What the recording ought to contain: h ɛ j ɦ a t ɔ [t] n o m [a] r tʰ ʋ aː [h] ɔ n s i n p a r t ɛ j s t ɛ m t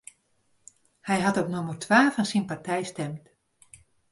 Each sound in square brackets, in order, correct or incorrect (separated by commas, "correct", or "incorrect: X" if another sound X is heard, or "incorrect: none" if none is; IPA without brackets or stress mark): incorrect: p, incorrect: ə, incorrect: f